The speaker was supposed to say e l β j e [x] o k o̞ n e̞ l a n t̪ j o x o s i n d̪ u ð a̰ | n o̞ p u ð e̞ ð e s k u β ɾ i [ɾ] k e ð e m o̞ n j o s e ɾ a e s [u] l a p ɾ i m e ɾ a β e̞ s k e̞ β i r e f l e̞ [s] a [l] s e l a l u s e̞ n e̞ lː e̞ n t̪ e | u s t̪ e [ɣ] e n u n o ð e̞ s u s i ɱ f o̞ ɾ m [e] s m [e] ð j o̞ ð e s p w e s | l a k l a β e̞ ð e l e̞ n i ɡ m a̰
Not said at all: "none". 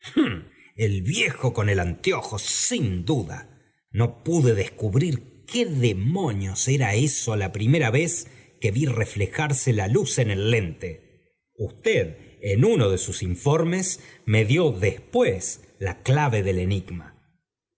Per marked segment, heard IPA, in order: x, ɾ, o, x, ɾ, ð, e, e

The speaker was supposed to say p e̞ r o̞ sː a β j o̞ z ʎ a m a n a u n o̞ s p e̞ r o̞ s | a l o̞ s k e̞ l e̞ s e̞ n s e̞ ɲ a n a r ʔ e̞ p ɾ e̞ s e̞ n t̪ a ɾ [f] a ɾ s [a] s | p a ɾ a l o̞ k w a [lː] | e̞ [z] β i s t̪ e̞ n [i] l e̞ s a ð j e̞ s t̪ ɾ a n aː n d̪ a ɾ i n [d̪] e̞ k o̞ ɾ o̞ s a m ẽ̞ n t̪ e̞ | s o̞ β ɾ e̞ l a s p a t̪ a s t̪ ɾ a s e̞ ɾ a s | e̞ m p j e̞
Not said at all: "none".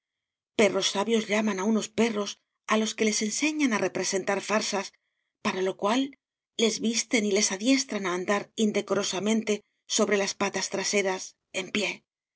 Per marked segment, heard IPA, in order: f, a, lː, z, i, d̪

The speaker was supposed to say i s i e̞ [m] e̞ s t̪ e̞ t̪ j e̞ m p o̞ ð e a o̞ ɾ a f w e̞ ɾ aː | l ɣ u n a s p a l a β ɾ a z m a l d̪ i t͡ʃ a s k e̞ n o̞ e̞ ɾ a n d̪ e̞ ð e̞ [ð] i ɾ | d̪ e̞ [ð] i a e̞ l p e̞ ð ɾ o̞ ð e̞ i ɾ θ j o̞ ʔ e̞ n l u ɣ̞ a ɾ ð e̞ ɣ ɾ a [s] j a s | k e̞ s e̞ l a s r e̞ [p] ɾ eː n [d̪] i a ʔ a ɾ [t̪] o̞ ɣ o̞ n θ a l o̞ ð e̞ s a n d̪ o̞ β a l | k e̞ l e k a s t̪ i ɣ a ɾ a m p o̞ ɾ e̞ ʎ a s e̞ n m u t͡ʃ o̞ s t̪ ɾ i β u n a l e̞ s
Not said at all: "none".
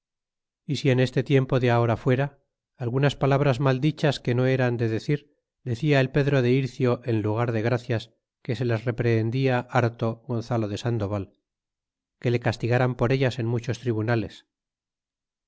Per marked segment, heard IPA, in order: n, θ, θ, θ, p, d̪, t̪

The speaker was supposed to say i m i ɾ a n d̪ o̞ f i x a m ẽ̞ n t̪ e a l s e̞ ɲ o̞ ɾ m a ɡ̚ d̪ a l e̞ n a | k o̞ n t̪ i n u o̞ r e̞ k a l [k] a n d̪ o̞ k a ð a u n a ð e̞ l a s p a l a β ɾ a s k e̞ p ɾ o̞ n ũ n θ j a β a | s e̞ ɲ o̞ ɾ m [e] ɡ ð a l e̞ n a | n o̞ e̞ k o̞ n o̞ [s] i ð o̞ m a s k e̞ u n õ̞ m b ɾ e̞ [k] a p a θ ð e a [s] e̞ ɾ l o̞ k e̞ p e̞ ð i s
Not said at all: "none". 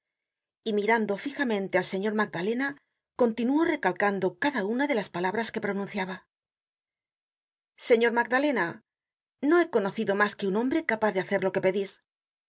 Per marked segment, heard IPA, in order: k, a, θ, k, θ

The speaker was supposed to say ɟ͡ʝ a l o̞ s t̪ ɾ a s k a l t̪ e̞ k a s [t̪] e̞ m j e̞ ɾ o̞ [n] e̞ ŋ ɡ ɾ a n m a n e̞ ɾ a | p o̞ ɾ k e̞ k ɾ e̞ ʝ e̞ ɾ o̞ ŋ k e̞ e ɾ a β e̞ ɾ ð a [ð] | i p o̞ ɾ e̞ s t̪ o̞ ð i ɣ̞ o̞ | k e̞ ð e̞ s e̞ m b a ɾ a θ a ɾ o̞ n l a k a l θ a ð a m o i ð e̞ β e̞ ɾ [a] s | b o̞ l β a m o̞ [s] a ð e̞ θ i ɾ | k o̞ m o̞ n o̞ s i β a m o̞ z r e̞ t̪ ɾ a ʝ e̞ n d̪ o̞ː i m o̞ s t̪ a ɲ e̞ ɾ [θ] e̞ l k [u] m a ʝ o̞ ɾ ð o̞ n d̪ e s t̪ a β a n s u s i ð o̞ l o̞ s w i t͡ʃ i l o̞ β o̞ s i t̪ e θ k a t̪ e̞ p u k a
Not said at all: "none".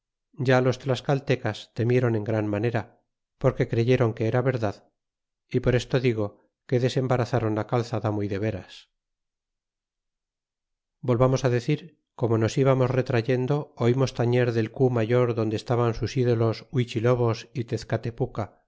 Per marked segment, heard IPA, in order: t̪, n, ð, a, s, ð, u

